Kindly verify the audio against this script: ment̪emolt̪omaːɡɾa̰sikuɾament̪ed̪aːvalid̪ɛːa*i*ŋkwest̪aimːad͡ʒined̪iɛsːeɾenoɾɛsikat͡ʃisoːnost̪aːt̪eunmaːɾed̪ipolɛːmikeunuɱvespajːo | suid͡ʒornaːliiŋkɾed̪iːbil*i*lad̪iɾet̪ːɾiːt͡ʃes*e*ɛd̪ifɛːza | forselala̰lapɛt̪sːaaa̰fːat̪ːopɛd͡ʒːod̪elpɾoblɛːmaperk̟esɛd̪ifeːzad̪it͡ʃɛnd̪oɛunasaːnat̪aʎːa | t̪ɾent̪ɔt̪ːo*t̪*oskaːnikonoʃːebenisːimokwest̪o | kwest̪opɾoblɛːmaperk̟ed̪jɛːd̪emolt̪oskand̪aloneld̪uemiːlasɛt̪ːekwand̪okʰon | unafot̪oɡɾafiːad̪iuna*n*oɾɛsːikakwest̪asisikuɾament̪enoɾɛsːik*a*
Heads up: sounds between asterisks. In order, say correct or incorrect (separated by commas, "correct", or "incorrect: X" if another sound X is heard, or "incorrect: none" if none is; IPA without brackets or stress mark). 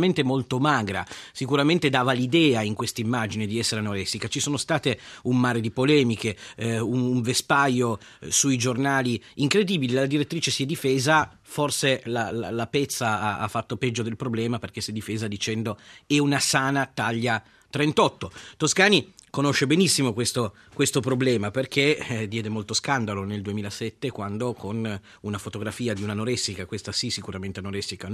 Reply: correct, correct, incorrect: i, correct, correct, correct